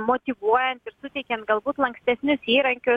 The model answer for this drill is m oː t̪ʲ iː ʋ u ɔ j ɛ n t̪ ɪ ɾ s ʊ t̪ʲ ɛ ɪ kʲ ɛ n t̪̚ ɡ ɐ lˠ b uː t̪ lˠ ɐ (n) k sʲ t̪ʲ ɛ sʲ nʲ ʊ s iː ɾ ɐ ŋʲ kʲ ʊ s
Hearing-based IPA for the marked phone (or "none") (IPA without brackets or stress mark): ŋ